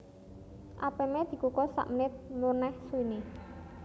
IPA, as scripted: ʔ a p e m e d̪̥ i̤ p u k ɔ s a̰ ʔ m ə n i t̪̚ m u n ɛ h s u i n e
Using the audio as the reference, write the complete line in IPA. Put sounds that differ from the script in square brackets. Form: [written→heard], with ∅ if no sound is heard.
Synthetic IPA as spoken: ʔ a p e m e d̪̥ i̤ [p→k] u k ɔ s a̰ ʔ m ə n [i→ɪ] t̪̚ m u n ɛ h s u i n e

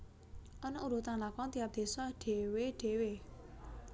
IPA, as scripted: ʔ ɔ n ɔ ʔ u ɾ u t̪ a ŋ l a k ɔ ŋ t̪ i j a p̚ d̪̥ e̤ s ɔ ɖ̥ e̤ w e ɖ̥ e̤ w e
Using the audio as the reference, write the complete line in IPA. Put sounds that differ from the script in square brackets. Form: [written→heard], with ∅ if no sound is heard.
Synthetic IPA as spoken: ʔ ɔ n ɔ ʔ u ɾ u t̪ a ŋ l a k ɔ ŋ t̪ i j a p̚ d̪̥ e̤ s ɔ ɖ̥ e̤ w e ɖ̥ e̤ w e

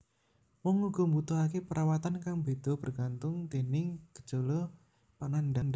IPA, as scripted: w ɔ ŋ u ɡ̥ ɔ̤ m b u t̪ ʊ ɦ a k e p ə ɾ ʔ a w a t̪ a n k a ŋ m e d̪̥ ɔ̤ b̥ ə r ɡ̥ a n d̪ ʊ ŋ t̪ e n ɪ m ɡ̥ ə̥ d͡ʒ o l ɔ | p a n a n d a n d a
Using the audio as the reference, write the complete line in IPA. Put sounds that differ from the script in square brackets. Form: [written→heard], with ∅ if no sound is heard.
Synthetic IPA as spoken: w ɔ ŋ u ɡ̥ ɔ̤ m b u t̪ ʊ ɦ a k e p ə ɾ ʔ a w a t̪ a n k a ŋ [m→b] e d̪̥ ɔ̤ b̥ ə r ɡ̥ a n [d̪→t̪] ʊ ŋ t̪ e n ɪ [m→ŋ] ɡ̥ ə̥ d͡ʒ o l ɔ | p a n a n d a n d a

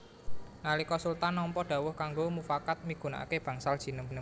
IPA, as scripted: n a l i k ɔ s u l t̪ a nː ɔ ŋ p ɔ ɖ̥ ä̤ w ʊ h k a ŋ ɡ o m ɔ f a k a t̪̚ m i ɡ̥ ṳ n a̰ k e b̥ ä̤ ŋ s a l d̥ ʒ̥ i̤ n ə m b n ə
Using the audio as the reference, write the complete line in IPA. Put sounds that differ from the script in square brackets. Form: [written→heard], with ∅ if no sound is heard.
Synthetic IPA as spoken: n a l i k ɔ s u l t̪ a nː ɔ [ŋ→m] p ɔ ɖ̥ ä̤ w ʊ h k a ŋ ɡ o m [ɔ→u] f a k a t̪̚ m i ɡ̥ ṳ n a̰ k e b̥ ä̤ ŋ s a l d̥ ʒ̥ i̤ n ə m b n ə

